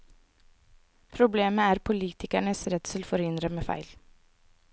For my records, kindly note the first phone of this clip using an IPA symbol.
pʰ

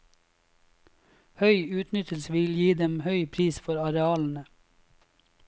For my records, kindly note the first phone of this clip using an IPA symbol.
h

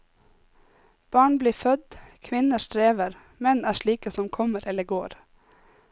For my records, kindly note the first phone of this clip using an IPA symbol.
b̥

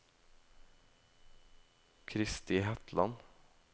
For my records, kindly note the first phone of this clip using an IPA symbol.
kʰ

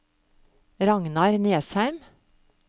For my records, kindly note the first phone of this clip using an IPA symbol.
ɾ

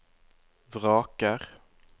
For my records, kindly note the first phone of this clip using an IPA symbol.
v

